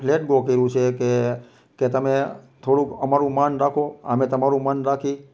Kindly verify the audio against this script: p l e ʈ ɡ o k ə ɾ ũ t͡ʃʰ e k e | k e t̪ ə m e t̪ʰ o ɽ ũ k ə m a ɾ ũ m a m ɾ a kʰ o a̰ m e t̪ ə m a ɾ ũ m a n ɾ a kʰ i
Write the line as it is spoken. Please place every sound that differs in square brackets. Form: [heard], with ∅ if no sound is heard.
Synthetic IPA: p l e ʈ ɡ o k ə ɾ ũ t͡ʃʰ e k e | k e t̪ ə m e t̪ʰ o ɽ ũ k ə m a ɾ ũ m a [n] ɾ a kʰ o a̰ m e t̪ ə m a ɾ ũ m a n ɾ a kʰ i